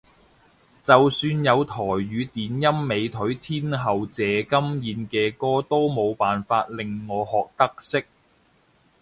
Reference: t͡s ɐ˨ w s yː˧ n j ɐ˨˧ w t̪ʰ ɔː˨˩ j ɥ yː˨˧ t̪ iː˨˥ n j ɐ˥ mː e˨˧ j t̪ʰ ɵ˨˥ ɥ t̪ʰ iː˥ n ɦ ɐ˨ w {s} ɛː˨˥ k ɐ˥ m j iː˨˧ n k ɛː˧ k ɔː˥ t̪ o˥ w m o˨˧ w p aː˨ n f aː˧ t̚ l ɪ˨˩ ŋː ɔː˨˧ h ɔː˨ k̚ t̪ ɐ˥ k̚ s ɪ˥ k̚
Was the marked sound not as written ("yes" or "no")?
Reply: yes